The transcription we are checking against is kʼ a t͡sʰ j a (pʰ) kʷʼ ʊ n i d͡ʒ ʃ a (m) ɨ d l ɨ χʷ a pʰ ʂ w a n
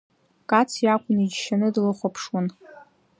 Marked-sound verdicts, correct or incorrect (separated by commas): incorrect, incorrect